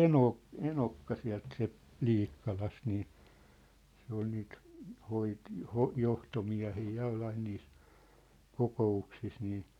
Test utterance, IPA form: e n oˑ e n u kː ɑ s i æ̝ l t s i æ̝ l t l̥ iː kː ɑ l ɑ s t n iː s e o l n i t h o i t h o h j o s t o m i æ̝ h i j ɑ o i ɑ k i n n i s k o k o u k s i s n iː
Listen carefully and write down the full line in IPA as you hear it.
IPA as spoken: e n oˑ e n o kː ɑ s i æ̝ l t s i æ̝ l t l̥ iː kː ɑ l ɑ s t n iː s e o l n iː t h o i t h o h j o h t o m i æ̝ h iː j ɑ o i ɑ i n n iː s k o k o u k s i s n iː